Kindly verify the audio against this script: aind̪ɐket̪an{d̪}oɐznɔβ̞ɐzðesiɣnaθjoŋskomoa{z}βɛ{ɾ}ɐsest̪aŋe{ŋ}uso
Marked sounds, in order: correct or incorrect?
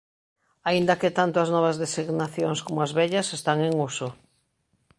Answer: incorrect, correct, incorrect, correct

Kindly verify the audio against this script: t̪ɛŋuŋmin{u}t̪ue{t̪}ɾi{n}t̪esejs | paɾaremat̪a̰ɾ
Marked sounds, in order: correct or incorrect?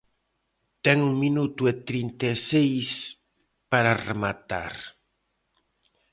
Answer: correct, correct, correct

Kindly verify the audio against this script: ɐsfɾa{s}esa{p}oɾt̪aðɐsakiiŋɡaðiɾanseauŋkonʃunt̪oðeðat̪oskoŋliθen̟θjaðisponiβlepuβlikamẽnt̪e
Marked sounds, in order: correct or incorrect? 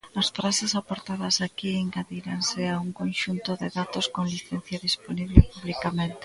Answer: correct, correct

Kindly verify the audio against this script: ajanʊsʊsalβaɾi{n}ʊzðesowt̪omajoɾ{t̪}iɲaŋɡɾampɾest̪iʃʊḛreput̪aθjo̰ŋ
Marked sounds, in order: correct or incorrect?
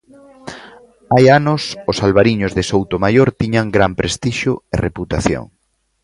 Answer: incorrect, correct

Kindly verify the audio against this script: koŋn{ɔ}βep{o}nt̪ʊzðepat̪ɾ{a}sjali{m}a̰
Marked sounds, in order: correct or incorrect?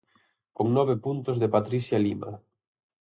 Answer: correct, incorrect, incorrect, correct

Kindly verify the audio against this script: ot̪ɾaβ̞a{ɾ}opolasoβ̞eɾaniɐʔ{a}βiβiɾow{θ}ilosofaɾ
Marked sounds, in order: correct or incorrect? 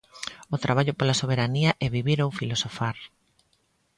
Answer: incorrect, incorrect, incorrect

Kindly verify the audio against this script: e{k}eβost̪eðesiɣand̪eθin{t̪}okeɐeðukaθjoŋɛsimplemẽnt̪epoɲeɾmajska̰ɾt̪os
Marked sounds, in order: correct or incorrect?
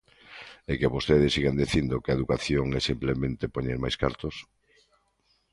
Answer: correct, incorrect

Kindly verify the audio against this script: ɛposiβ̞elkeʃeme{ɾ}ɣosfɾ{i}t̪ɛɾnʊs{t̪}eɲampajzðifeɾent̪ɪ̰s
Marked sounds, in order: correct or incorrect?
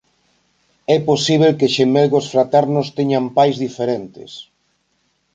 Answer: incorrect, incorrect, correct

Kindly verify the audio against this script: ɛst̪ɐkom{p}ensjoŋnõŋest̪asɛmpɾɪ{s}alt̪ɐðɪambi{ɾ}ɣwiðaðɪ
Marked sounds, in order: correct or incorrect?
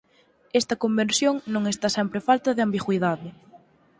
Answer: incorrect, incorrect, incorrect

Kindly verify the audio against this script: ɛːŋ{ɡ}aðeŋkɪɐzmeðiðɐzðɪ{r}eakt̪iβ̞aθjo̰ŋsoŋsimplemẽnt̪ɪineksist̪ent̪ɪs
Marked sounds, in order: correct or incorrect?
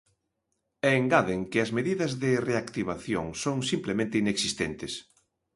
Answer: correct, correct

